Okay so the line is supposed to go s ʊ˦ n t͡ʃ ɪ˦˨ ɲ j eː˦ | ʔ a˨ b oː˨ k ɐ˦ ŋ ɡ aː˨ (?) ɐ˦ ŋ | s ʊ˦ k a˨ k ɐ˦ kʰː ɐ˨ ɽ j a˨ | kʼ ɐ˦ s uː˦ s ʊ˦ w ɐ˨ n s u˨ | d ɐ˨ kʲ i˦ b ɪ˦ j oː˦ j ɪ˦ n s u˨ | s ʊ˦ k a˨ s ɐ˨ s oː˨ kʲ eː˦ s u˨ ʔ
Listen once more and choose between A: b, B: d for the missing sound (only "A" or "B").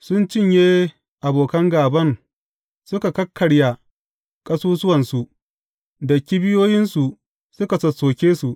A